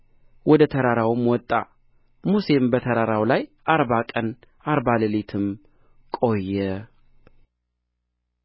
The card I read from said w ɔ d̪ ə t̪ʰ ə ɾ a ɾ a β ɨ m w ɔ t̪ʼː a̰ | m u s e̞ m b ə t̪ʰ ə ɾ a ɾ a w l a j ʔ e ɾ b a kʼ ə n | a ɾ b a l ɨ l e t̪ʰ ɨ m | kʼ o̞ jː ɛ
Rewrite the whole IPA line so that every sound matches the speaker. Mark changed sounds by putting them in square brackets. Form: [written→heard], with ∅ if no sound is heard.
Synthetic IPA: w ɔ d̪ ə t̪ʰ ə ɾ a ɾ a [β→w] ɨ m w ɔ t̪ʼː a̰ | m u s e̞ m b ə t̪ʰ ə ɾ a ɾ a w l a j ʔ [e→a] ɾ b a kʼ ə n | a ɾ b a l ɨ l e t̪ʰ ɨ m | kʼ o̞ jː ɛ